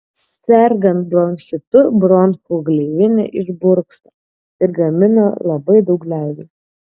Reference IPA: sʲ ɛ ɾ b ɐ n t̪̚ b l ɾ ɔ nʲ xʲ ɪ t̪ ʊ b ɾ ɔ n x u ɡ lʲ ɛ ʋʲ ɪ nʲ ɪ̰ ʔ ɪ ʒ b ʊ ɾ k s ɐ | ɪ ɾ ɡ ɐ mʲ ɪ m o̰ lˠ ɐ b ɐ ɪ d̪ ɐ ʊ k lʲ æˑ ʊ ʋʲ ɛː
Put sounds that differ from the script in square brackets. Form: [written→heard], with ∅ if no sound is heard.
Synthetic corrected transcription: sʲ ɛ ɾ [b→ɡ] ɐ n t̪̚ b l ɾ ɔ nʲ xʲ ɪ t̪ ʊ b ɾ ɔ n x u ɡ lʲ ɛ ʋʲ ɪ nʲ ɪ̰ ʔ ɪ ʒ b ʊ ɾ k s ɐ | ɪ ɾ ɡ ɐ mʲ ɪ [m→n] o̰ lˠ ɐ b ɐ ɪ d̪ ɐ ʊ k lʲ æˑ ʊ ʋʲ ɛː